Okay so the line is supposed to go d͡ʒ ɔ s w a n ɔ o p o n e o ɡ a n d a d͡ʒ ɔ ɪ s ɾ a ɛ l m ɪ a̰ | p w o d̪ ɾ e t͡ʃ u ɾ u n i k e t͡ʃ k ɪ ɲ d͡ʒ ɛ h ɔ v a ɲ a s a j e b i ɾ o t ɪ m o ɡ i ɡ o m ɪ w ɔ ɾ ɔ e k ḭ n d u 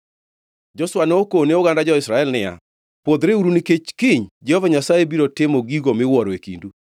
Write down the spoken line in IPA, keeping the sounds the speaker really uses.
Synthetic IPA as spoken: d͡ʒ ɔ s w a n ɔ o k o n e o ɡ a n d a d͡ʒ ɔ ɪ s ɾ a ɛ l n ɪ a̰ | p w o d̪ ɾ e u ɾ u n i k e t͡ʃ k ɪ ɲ d͡ʒ ɛ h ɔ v a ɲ a s a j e b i ɾ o t ɪ m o ɡ i ɡ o m ɪ w ɔ ɾ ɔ e k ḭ n d u